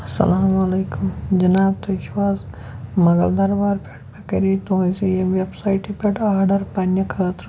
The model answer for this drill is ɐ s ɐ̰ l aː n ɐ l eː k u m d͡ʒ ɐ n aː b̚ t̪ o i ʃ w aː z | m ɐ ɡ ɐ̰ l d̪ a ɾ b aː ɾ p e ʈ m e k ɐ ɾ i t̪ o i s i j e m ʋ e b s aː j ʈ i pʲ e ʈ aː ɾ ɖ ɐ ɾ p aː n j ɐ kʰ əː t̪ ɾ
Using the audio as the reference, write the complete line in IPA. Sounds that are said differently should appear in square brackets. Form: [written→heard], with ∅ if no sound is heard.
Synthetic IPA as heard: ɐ s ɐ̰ l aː [n→m] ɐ l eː k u m d͡ʒ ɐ n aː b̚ t̪ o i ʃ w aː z | m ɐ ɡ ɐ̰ l d̪ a ɾ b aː ɾ p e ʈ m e k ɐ ɾ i t̪ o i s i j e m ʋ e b s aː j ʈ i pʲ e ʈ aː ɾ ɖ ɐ ɾ p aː n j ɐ kʰ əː t̪ ɾ